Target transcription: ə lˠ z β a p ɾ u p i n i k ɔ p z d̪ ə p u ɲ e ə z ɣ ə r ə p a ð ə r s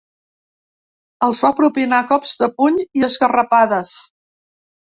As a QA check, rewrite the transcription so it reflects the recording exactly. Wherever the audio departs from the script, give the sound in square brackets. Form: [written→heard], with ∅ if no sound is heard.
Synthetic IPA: ə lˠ z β a p ɾ u p i n [i→a] k ɔ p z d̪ ə p u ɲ [e→i] ə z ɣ ə r ə p a ð ə [r→∅] s